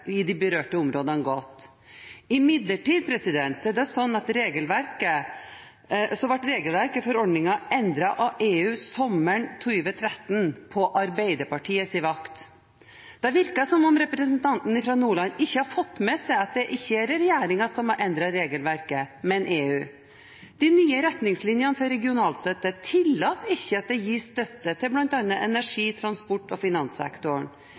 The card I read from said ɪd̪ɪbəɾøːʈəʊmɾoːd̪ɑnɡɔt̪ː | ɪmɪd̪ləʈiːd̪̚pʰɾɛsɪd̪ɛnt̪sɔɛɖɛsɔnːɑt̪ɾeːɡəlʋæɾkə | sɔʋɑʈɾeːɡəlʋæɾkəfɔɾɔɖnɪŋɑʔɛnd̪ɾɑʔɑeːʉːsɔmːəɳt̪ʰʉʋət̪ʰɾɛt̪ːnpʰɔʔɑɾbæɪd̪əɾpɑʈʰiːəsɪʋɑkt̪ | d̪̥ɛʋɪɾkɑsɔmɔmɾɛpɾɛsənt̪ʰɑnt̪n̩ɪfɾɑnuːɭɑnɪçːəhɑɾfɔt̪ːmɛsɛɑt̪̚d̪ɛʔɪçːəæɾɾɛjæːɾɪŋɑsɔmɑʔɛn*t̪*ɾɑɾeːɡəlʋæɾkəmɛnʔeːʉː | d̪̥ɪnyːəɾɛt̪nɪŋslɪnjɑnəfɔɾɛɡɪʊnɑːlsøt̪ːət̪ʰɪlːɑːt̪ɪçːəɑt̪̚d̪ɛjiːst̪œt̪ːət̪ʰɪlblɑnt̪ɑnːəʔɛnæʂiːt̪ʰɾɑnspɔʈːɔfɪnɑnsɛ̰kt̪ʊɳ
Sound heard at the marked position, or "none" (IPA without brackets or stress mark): d̪